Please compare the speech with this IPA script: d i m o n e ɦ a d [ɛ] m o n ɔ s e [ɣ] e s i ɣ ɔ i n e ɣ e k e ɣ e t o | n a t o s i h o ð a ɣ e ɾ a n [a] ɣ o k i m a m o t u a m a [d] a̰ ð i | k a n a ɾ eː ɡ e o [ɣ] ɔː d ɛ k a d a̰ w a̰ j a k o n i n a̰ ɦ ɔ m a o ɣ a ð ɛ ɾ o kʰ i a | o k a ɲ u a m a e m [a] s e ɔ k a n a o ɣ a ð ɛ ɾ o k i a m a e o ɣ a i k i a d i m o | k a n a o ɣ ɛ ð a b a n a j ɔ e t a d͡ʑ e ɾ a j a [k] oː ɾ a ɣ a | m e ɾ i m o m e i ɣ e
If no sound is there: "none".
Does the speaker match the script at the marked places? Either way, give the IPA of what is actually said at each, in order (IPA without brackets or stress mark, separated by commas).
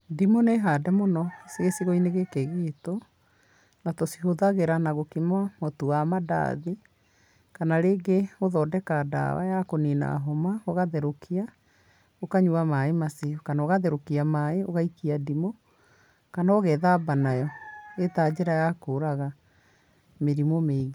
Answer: ɛ, ɣ, a, d, ð, a, k